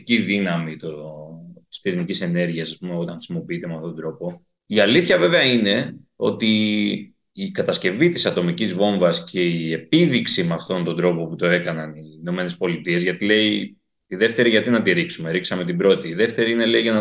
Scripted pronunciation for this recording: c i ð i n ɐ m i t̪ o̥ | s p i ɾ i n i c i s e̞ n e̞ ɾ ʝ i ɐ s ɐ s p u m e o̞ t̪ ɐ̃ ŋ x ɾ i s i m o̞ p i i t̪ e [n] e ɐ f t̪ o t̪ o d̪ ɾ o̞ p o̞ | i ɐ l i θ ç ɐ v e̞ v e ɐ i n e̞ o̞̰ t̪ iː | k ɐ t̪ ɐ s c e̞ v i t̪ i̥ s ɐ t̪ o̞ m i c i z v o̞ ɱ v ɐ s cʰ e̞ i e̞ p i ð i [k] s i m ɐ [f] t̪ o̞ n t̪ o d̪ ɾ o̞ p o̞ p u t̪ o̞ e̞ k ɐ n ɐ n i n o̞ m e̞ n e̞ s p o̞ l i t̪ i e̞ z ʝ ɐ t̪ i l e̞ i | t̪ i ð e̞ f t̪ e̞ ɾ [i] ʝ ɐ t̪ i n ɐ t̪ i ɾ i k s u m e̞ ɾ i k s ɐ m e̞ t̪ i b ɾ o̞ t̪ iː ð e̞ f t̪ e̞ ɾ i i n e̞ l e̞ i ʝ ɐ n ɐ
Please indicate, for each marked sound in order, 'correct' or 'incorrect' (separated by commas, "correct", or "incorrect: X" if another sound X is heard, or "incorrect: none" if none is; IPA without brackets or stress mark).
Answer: incorrect: m, correct, correct, correct